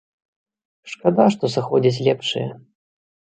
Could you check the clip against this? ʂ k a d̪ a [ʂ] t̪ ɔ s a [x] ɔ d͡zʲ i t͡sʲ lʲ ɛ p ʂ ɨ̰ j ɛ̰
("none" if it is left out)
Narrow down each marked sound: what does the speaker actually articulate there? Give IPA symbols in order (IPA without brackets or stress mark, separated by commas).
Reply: ʂ, x